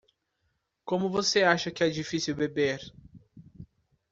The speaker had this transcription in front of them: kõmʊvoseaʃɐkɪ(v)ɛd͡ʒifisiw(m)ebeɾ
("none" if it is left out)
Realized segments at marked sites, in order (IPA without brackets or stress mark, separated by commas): none, b